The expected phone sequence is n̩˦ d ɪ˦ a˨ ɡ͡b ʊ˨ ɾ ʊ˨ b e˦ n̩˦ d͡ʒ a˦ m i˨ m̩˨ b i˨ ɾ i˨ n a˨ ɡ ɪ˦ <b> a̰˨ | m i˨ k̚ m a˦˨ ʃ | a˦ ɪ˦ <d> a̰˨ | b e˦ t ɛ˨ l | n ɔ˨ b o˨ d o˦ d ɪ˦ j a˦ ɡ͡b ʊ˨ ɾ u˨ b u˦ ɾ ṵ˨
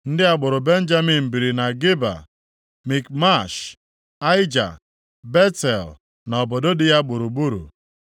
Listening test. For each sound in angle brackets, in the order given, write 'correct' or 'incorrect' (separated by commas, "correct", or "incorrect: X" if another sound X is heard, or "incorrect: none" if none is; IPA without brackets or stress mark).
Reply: correct, incorrect: d͡ʒ